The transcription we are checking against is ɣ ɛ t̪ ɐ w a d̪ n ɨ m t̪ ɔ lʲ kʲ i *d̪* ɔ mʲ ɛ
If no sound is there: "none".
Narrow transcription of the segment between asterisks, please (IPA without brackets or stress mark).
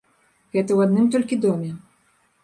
d̪